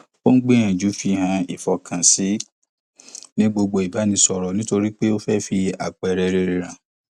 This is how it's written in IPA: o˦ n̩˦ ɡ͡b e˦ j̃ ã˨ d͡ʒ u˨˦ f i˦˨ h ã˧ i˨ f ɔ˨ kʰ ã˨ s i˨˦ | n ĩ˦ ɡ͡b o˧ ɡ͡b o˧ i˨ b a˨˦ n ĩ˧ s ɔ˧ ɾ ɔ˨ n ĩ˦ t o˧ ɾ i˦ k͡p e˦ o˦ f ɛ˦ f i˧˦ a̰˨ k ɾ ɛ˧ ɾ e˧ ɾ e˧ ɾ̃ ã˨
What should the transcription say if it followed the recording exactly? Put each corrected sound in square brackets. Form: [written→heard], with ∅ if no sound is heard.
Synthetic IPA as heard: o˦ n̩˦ ɡ͡b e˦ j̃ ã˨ d͡ʒ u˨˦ f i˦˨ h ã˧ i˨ f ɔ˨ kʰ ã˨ s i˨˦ | n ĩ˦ ɡ͡b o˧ ɡ͡b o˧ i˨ b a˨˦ n ĩ˧ s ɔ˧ ɾ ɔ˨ n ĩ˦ t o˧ ɾ i˦ k͡p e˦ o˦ f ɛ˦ f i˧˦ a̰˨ [k→k͡p] ɾ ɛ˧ ɾ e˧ ɾ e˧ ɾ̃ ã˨